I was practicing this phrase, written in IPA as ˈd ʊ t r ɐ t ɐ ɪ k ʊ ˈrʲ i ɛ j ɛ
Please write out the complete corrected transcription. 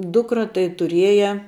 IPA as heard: ˈd ʊ k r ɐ t ɐ ɪ t ʊ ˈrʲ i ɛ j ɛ